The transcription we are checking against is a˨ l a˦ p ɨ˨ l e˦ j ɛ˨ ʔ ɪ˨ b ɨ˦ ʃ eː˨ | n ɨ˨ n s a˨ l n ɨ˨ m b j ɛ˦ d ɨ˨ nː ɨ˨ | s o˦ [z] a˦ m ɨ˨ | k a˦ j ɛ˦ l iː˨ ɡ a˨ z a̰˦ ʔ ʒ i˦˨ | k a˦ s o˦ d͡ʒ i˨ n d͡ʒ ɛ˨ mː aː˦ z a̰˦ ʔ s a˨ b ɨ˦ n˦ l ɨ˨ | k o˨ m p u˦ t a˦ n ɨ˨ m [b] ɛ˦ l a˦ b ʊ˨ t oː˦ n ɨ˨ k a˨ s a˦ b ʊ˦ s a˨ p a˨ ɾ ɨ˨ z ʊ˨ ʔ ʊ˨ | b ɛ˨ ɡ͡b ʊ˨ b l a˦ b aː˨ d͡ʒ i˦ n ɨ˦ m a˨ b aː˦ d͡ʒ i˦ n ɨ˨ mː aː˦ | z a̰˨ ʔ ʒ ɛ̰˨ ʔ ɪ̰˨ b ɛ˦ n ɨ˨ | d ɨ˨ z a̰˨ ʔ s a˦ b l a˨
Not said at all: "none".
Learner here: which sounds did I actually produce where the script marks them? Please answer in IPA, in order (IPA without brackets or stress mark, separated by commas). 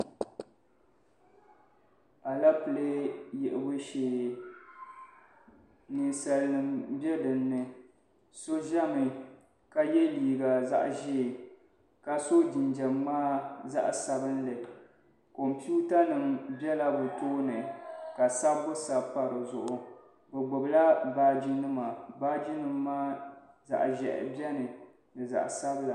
ʒ, b